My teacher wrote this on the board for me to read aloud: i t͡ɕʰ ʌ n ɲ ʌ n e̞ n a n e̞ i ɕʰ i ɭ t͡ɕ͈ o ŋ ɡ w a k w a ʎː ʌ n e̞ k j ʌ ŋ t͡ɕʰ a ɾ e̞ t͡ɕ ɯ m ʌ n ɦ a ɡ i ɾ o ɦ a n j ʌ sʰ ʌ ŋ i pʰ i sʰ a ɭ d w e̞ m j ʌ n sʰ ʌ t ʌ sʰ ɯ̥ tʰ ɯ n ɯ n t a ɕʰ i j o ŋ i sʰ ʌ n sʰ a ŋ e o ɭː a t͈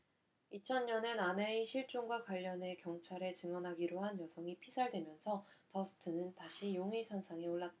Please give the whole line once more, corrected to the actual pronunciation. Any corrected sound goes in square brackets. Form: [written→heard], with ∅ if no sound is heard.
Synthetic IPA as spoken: i t͡ɕʰ ʌ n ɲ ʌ n e̞ n a n e̞ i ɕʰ i ɭ t͡ɕ͈ o ŋ ɡ w a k w a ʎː ʌ n e̞ k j ʌ ŋ t͡ɕʰ a ɾ e̞ t͡ɕ ɯ [m→ŋ] ʌ n ɦ a ɡ i ɾ o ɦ a n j ʌ sʰ ʌ ŋ i pʰ i sʰ a ɭ d w e̞ m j ʌ n sʰ ʌ t ʌ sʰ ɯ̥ tʰ ɯ n ɯ n t a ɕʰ i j o ŋ i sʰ ʌ n sʰ a ŋ e o ɭː a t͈